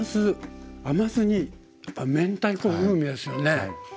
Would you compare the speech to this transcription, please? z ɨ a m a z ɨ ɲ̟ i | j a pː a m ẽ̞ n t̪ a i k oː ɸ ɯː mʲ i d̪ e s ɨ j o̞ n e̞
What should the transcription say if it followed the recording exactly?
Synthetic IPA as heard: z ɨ a m a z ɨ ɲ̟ i | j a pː a m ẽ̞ n t̪ a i k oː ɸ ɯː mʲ i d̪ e s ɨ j o̞ n e̞